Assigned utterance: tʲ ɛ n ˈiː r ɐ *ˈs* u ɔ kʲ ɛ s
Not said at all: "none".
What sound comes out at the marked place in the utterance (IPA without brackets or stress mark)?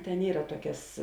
t